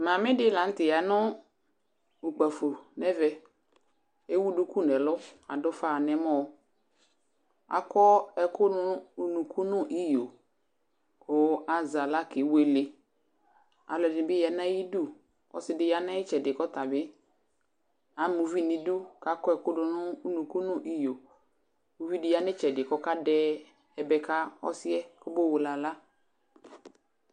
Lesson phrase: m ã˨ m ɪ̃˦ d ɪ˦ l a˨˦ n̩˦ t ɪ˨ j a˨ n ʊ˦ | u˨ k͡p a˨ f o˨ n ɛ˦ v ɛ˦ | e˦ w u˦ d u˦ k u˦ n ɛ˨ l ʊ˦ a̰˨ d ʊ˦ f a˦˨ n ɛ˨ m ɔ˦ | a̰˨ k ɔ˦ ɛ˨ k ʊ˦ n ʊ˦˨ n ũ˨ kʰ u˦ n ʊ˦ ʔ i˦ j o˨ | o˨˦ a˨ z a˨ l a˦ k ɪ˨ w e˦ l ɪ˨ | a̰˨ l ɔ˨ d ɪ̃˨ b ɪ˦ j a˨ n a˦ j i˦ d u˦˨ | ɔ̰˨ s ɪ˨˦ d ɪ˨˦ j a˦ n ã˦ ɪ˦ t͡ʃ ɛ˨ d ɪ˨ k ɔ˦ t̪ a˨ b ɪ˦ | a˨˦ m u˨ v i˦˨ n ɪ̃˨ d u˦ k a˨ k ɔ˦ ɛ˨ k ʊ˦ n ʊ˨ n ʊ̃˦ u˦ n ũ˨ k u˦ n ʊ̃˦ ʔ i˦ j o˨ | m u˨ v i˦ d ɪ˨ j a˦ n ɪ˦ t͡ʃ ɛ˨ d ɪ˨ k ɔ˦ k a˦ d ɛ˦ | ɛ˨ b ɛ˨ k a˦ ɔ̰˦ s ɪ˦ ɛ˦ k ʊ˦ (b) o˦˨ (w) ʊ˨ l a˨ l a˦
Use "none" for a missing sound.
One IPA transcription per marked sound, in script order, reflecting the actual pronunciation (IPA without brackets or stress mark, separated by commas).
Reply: b, w